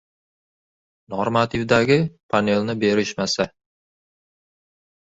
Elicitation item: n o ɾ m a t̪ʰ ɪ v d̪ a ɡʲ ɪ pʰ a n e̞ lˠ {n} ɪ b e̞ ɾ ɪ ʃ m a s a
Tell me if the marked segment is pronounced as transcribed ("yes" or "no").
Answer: yes